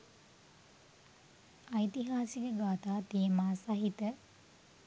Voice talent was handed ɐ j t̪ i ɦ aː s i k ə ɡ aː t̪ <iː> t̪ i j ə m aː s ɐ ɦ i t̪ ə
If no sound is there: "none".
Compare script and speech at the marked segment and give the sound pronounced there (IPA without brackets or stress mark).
aː